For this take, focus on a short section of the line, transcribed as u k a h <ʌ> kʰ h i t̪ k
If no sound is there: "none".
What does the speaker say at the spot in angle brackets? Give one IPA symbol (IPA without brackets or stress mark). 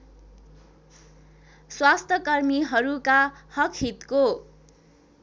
ʌ